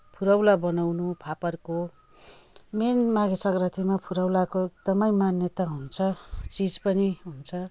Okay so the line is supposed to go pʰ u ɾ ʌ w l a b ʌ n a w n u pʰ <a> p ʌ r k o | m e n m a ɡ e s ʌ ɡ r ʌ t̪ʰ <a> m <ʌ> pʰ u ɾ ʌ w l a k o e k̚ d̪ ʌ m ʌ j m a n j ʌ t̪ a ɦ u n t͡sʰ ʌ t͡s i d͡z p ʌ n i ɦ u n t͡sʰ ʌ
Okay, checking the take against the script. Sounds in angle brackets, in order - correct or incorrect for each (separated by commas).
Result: correct, incorrect, incorrect